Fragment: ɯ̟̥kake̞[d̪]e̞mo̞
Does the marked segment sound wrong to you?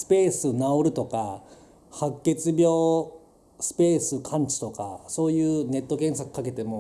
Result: yes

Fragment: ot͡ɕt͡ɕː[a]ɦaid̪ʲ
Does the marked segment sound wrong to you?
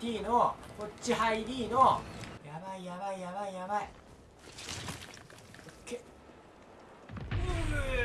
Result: yes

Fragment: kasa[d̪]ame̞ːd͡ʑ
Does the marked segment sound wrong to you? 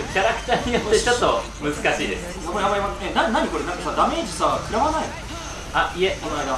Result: no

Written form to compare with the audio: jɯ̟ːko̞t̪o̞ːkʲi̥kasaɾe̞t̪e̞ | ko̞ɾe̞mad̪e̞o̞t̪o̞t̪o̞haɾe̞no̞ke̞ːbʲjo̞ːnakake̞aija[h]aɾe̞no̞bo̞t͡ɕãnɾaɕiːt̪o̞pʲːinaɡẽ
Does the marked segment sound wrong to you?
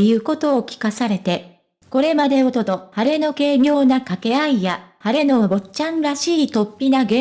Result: no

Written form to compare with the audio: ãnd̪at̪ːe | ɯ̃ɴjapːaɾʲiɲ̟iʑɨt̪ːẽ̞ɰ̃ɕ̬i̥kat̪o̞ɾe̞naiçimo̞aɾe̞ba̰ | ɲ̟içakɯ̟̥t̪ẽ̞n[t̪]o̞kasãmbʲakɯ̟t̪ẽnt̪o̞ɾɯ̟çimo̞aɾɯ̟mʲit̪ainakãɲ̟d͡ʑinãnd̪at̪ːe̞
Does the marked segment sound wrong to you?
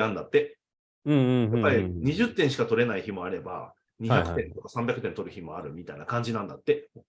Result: no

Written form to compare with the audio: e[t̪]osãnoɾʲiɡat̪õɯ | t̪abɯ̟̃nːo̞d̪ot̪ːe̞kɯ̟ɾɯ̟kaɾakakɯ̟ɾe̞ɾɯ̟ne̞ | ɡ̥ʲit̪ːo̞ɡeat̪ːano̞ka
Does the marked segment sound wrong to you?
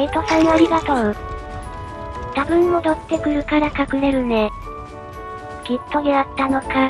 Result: no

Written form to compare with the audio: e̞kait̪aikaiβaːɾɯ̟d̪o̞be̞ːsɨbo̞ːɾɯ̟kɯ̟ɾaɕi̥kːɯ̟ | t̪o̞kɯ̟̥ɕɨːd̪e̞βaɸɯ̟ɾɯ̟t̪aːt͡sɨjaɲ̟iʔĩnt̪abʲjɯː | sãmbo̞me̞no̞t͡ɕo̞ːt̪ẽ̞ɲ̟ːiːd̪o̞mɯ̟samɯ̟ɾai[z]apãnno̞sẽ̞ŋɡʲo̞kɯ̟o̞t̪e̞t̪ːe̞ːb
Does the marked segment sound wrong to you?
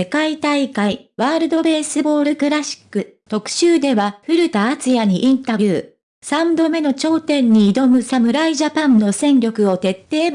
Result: yes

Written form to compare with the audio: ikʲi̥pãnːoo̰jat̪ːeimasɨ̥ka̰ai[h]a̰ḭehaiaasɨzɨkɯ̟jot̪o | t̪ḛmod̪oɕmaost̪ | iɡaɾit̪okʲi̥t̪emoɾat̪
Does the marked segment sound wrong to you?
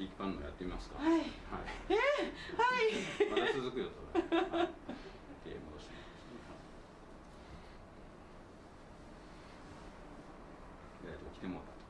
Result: no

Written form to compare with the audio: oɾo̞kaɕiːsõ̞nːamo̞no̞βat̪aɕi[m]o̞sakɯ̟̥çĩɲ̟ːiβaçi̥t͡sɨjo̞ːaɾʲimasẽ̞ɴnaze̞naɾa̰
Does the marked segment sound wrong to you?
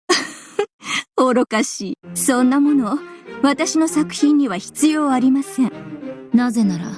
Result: yes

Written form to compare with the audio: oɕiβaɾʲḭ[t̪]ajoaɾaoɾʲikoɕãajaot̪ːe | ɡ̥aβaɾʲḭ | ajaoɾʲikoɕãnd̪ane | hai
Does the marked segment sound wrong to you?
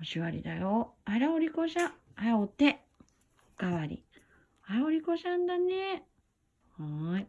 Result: yes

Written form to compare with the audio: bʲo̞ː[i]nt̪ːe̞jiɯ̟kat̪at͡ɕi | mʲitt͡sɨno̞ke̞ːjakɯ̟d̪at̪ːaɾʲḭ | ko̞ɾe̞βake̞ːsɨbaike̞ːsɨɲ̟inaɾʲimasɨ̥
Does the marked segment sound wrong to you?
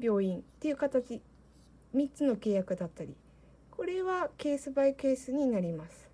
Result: yes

